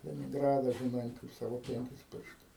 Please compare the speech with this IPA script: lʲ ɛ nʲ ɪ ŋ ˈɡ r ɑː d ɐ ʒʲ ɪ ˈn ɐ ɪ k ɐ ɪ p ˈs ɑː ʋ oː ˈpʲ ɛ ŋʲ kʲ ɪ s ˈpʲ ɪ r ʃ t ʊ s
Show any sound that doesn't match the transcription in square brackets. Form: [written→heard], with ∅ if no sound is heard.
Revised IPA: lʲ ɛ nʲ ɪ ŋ ˈɡ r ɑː d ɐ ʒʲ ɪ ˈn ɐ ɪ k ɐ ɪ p ˈs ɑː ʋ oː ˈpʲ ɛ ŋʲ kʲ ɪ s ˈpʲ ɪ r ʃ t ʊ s